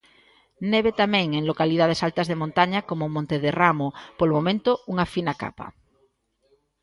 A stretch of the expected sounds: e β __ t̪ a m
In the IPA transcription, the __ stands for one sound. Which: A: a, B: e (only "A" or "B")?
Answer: B